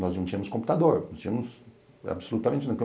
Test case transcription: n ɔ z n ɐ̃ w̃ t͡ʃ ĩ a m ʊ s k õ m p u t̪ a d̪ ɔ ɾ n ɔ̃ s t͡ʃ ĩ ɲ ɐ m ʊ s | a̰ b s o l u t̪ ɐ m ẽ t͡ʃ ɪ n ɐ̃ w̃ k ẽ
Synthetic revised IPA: n ɔ z n ɐ̃ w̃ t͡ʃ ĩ ɐ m ʊ s k õ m p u t̪ a d̪ o ɾ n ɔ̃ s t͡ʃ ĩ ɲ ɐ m ʊ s | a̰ b s o l u t̪ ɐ m ẽ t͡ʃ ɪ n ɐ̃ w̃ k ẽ